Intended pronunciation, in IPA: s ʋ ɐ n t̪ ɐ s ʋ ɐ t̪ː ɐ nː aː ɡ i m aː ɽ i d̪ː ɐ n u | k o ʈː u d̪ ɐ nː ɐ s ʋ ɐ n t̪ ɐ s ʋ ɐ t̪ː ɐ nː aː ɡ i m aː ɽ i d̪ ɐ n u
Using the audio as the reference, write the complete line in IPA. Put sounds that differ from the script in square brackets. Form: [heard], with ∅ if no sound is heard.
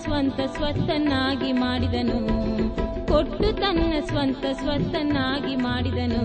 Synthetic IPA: s ʋ ɐ n t̪ ɐ s ʋ ɐ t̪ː ɐ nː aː ɡ i m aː ɽ i [d̪] ɐ n u | k o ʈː u [t̪] ɐ nː ɐ s ʋ ɐ n t̪ ɐ s ʋ ɐ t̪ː ɐ nː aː ɡ i m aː ɽ i d̪ ɐ n u